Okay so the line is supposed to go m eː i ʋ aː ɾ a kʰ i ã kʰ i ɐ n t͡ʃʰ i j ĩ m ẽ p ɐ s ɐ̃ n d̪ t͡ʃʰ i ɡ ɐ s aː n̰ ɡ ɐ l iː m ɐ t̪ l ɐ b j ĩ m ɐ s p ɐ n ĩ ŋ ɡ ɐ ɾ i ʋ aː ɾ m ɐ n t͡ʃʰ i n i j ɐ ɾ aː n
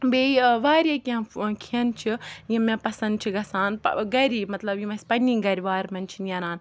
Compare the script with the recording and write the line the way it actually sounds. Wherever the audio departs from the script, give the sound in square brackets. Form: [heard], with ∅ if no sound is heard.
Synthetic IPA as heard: [b] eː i ʋ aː ɾ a [k] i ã kʰ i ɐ n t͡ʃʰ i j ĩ m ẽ p ɐ s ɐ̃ n d̪ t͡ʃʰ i ɡ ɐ s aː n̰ ɡ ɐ [ɾ] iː m ɐ t̪ l ɐ b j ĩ m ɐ s p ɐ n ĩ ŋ ɡ ɐ ɾ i ʋ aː ɾ m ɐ n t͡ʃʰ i n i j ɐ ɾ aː n